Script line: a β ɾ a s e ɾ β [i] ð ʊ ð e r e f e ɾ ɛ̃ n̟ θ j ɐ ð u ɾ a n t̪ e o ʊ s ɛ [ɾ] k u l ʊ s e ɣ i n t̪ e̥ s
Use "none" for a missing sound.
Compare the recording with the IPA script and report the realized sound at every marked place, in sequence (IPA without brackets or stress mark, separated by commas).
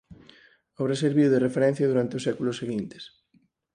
i, none